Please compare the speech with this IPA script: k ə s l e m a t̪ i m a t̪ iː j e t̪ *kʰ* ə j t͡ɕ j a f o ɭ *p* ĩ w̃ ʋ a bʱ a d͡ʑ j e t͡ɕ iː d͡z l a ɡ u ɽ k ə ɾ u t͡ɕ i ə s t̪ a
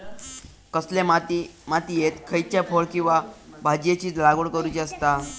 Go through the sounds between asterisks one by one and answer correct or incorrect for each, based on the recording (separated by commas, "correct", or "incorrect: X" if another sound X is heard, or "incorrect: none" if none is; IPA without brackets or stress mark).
correct, incorrect: k